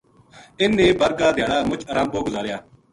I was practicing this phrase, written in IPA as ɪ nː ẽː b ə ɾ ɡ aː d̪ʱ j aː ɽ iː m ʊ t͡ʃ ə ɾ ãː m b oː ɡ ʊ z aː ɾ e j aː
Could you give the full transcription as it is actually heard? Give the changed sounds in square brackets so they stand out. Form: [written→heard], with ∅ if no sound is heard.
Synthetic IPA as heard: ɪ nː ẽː b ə ɾ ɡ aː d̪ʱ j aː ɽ [iː→aː] m ʊ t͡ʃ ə ɾ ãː m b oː ɡ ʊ z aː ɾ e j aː